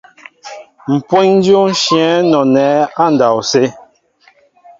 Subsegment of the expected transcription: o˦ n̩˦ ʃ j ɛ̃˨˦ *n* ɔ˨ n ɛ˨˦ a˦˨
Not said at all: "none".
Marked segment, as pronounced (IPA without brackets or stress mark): n